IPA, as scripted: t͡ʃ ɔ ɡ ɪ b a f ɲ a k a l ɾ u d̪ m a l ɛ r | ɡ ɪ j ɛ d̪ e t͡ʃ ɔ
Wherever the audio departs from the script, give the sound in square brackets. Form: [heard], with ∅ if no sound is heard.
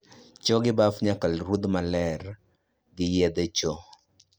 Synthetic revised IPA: t͡ʃ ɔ ɡ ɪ b a f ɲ a k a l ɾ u d̪ m a l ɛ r | ɡ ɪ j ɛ d̪ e t͡ʃ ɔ